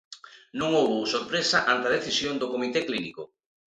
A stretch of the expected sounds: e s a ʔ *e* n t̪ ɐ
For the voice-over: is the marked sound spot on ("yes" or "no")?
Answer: no